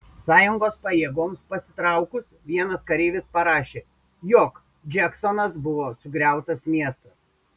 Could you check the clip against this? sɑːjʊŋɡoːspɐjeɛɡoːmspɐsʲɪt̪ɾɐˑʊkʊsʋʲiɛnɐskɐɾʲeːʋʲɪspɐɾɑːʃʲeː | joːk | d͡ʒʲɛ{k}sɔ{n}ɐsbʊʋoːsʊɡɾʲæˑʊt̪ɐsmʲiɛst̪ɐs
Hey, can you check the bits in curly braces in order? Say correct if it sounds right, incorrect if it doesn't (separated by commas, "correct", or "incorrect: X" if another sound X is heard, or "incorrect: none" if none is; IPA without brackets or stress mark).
correct, correct